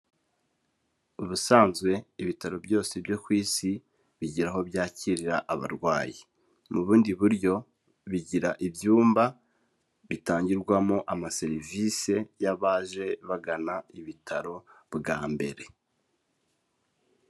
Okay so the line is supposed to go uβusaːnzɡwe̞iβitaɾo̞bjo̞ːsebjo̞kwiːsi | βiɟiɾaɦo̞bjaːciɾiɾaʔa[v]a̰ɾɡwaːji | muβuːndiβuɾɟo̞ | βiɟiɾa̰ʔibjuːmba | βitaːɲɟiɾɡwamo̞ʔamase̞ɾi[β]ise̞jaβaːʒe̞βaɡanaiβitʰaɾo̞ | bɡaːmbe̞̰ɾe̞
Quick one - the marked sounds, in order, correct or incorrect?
incorrect: β, incorrect: v

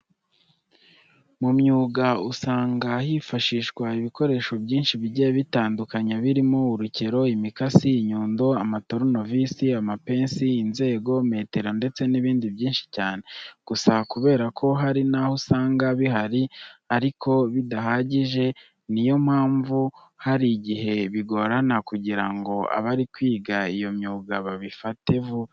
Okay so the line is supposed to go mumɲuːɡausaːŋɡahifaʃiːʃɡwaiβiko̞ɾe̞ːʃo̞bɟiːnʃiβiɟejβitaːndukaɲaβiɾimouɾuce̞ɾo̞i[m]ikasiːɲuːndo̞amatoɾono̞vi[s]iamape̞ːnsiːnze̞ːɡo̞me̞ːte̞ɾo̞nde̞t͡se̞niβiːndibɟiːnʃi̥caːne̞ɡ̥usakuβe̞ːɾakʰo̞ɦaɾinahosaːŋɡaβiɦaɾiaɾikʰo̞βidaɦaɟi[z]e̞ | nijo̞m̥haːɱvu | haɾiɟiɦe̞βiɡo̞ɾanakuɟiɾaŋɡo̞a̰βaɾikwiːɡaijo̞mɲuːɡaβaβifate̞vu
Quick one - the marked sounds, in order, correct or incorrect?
correct, correct, incorrect: ʒ

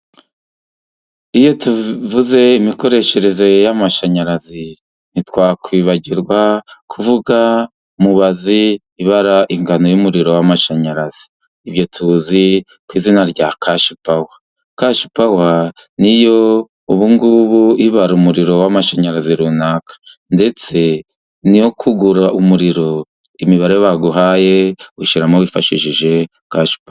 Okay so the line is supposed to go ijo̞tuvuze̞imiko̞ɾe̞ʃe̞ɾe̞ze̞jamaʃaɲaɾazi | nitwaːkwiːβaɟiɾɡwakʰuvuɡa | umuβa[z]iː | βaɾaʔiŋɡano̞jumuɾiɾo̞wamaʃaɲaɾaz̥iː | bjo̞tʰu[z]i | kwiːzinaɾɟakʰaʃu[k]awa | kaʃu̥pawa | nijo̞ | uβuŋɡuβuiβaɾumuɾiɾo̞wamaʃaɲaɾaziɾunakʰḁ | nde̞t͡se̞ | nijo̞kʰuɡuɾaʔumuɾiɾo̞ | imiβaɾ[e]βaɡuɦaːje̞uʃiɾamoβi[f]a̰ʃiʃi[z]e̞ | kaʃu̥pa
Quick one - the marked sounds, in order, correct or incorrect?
correct, correct, incorrect: p, correct, correct, incorrect: ʒ

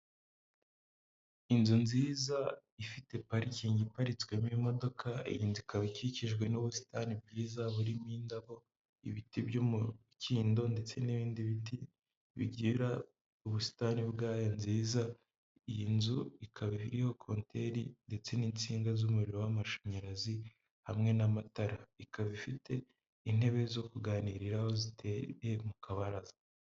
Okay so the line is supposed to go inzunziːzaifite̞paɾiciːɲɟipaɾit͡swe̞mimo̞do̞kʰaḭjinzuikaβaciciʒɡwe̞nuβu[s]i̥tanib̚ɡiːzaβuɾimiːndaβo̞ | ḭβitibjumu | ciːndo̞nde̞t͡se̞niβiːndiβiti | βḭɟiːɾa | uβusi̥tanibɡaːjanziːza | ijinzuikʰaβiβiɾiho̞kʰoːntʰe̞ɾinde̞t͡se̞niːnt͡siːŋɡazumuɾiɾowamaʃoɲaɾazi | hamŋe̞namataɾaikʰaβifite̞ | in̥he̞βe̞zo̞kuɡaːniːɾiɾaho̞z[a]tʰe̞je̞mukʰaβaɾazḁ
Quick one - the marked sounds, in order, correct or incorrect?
correct, incorrect: i

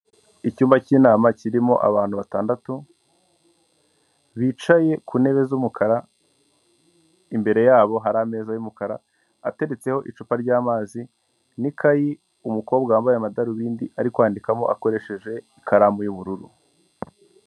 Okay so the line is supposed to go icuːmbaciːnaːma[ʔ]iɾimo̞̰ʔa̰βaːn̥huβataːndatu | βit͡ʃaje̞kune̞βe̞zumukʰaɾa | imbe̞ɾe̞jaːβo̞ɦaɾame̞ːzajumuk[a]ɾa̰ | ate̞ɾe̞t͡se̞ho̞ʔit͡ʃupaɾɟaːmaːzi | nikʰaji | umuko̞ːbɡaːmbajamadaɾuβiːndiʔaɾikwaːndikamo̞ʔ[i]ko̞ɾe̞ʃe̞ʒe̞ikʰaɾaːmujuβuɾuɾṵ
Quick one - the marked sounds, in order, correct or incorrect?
incorrect: c, correct, incorrect: a

